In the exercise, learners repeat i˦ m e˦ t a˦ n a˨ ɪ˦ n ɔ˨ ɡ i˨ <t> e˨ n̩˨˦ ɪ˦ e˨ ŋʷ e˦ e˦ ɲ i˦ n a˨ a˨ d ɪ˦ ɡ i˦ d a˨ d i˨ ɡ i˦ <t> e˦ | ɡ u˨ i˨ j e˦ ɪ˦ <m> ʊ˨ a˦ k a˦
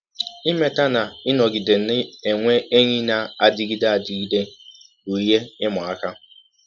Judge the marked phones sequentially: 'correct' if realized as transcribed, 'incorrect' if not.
incorrect, incorrect, correct

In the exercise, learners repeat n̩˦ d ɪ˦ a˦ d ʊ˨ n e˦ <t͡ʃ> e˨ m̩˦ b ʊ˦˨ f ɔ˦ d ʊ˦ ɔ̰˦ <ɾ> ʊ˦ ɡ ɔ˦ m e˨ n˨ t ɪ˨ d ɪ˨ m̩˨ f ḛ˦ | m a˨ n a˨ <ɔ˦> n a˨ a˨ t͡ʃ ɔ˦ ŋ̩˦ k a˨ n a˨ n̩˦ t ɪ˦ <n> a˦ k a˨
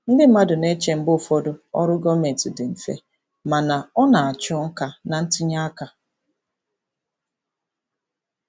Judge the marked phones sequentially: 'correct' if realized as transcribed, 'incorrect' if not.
correct, correct, correct, incorrect

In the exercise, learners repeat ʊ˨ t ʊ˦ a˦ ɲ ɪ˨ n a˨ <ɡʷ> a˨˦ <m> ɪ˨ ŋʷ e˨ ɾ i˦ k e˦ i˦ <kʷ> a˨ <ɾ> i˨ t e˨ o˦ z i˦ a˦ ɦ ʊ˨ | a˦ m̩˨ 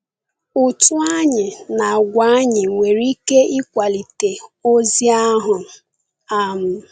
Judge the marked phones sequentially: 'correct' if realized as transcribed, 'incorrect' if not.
correct, incorrect, correct, incorrect

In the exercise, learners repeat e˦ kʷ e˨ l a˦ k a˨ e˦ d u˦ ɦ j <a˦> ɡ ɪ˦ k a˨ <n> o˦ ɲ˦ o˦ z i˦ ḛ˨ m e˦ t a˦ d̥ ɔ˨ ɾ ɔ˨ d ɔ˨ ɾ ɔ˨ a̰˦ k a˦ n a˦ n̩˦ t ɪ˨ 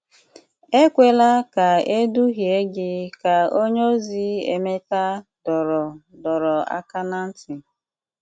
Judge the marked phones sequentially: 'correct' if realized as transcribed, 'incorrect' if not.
incorrect, incorrect

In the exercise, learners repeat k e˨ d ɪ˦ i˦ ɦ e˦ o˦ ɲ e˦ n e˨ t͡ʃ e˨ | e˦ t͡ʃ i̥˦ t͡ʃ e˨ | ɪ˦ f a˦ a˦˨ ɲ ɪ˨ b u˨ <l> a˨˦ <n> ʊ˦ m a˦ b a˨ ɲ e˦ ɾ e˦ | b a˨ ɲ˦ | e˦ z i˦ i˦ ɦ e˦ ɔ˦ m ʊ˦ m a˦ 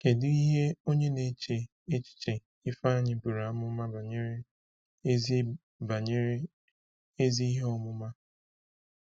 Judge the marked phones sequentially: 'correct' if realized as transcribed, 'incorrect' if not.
incorrect, incorrect

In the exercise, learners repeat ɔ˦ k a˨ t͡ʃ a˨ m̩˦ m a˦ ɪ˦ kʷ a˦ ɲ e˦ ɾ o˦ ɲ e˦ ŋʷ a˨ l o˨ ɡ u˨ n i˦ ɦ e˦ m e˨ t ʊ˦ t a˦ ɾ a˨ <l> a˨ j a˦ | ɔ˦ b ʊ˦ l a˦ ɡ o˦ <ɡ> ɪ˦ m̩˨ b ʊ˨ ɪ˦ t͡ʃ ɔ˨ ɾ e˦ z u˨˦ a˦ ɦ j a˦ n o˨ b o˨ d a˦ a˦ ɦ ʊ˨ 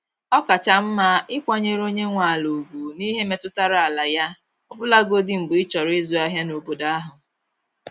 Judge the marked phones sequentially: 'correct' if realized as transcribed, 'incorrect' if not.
correct, incorrect

